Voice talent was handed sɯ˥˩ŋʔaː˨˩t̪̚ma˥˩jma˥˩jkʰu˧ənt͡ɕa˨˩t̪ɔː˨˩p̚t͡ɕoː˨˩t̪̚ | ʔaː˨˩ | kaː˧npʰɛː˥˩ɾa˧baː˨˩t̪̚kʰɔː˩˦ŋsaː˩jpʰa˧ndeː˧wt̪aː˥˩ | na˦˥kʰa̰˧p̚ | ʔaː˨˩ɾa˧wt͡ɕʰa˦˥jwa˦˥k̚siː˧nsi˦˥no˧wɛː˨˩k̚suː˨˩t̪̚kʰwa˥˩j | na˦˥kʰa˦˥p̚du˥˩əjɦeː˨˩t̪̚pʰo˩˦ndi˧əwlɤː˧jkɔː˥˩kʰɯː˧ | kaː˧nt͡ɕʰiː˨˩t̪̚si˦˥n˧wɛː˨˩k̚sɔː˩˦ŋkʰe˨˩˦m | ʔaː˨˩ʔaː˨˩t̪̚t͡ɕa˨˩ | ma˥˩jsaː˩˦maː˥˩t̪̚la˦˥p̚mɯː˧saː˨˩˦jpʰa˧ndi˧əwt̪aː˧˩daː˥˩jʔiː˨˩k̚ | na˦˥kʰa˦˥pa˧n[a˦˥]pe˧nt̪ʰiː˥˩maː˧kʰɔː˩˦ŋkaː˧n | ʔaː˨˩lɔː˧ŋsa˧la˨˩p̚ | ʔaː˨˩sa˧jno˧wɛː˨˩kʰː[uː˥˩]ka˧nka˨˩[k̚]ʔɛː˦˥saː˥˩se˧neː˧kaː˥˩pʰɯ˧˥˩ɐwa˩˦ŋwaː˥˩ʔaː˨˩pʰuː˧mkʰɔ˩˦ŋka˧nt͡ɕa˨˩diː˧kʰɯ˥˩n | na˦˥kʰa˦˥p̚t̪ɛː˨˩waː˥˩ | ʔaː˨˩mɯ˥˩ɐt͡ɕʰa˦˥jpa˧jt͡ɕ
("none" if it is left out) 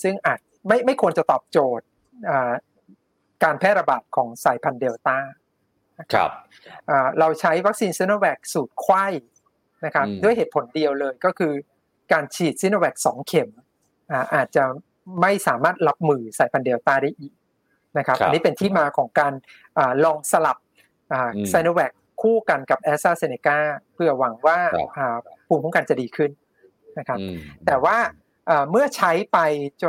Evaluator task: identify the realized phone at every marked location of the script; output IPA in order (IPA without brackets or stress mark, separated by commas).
i˦˥, uː˥˩, p̚